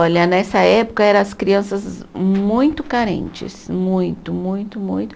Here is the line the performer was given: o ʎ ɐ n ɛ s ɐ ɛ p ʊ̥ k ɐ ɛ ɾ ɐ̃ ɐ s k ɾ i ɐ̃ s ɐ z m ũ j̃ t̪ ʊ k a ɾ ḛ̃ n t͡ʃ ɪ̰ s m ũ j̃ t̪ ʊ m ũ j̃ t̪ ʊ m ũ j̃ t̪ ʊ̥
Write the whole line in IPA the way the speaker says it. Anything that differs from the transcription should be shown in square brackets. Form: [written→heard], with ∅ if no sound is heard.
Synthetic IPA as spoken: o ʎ ɐ n ɛ s ɐ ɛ p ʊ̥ k ɐ ɛ ɾ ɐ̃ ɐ s k ɾ i ɐ̃ s ɐ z m ũ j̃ t̪ ʊ k a ɾ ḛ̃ n t͡ʃ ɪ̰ s m ũ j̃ t̪ ʊ m ũ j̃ t̪ ʊ m ũ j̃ t̪ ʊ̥